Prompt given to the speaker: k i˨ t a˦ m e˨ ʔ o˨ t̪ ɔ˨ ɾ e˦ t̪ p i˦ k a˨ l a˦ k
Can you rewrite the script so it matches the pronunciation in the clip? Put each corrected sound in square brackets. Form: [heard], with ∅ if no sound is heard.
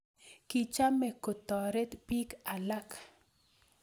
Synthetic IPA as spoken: k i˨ [t͡ʃ] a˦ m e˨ [k] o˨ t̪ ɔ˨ ɾ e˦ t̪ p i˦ k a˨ l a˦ k